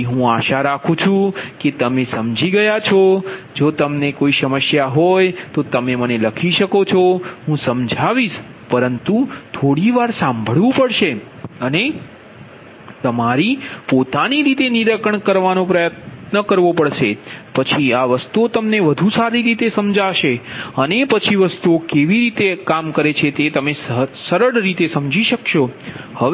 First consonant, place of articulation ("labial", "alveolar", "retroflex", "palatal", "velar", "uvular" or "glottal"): glottal